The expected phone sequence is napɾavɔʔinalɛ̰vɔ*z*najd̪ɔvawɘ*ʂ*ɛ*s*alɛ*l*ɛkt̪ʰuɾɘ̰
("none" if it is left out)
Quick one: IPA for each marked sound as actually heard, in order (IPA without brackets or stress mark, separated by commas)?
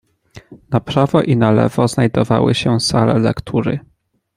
z, ɕ, s, l